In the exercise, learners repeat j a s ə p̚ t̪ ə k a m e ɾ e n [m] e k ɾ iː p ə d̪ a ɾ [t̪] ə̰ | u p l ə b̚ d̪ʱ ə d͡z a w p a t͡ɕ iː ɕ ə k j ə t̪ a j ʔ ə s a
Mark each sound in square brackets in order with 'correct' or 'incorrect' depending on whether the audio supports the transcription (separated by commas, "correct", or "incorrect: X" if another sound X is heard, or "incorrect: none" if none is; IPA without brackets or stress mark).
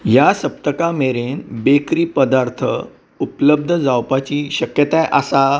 incorrect: b, incorrect: t̪ʰ